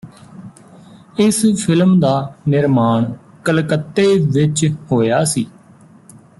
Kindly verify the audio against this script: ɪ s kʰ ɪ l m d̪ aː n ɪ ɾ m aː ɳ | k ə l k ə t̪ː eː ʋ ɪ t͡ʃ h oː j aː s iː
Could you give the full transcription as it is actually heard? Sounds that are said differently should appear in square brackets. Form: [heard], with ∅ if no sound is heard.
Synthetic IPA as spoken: ɪ s [pʰ] ɪ l m d̪ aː n ɪ ɾ m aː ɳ | k ə l k ə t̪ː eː ʋ ɪ t͡ʃ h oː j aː s iː